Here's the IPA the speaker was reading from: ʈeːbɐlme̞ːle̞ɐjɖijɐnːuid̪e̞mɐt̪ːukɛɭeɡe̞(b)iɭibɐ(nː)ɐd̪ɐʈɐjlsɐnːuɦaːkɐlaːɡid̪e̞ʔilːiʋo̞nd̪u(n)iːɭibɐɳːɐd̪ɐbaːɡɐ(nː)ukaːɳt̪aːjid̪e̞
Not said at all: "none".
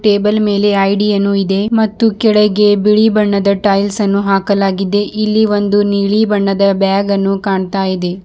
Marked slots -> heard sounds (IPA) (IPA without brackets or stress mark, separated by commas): b, ɳː, n, nː